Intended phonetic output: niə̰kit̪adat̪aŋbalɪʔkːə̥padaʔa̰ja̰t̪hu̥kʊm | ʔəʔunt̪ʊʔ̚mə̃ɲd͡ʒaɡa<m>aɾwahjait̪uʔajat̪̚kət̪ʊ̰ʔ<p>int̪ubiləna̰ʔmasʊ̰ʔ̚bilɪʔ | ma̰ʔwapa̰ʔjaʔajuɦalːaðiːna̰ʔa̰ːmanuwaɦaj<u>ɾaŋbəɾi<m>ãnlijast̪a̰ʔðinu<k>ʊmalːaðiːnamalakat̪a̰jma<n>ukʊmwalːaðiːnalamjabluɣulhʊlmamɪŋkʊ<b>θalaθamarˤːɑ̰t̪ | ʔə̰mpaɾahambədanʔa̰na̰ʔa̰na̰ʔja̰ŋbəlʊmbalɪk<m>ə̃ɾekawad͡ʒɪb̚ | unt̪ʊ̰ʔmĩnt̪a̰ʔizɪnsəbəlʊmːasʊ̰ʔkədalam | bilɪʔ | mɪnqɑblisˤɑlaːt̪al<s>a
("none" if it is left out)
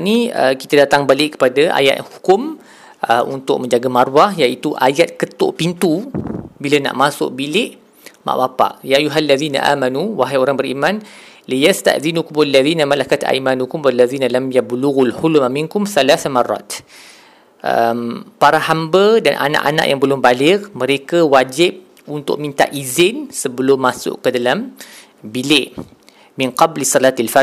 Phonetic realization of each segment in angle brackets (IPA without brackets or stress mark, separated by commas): m, p, o, m, k, n, m, m, f